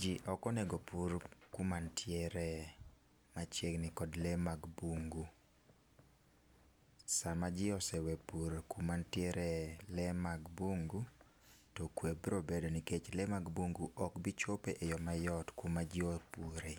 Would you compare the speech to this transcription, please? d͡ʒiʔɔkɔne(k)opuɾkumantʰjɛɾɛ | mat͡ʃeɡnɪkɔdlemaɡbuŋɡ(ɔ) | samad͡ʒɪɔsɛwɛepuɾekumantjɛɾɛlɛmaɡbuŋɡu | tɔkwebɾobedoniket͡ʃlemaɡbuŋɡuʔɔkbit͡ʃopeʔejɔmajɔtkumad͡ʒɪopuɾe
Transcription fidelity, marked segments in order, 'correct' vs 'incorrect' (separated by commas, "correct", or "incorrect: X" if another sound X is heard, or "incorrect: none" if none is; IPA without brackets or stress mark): incorrect: ɡ, incorrect: u